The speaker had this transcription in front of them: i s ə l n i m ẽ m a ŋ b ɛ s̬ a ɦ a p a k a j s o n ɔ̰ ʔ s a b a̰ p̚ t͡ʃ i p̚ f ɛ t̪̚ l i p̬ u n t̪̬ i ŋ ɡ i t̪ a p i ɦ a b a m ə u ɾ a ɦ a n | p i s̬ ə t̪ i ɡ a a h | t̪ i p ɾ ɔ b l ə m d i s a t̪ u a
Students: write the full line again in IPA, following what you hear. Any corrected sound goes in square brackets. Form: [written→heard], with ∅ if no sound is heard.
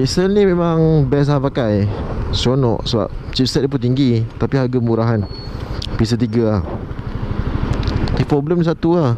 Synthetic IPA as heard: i s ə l n i m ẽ m a ŋ b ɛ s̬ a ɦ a p a k a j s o n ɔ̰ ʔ s [a→ə] b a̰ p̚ t͡ʃ i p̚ [f→s] ɛ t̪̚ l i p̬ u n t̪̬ i ŋ ɡ i t̪ a p i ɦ a [b→ɡ] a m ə u ɾ a ɦ a n | p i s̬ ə t̪ i ɡ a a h | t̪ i p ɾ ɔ b l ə m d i s a t̪ u a